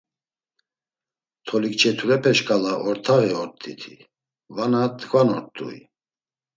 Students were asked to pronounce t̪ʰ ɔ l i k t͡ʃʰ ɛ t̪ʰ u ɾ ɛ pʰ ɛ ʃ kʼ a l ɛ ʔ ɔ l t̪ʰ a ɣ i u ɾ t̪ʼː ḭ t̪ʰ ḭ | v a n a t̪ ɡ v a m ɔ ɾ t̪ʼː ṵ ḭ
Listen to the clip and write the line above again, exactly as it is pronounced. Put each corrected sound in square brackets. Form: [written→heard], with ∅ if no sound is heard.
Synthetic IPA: t̪ʰ ɔ l i k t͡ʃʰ ɛ t̪ʰ u ɾ ɛ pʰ ɛ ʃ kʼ a l [ɛ→a] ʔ ɔ [l→ɾ] t̪ʰ a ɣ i [u→ɔ] ɾ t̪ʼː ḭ t̪ʰ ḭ | v a n a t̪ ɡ v a [m→n] ɔ ɾ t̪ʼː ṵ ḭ